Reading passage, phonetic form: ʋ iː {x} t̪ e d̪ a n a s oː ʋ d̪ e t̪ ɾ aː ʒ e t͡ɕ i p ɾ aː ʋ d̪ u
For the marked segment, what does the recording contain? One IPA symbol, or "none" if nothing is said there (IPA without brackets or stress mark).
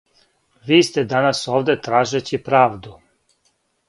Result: s